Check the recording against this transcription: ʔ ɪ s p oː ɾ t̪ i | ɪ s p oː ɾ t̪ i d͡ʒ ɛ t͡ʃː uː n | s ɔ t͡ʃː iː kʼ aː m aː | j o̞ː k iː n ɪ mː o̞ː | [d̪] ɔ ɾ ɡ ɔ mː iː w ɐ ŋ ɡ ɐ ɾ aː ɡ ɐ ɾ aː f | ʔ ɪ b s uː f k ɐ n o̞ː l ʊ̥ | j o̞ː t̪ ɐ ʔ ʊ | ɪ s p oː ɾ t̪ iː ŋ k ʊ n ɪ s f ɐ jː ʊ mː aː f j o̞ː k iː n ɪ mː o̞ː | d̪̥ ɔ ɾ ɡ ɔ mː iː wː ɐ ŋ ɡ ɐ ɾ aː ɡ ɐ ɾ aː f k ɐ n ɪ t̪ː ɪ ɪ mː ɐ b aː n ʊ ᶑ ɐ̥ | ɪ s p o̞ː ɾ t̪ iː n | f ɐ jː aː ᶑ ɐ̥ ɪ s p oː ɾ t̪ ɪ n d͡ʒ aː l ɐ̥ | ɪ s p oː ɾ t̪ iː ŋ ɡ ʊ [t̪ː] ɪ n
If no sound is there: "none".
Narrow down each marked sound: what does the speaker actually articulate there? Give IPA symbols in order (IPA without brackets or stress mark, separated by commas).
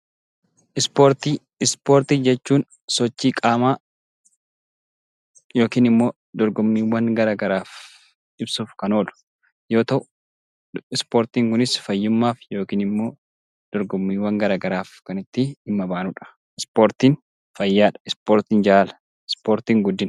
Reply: d̪, d̪ː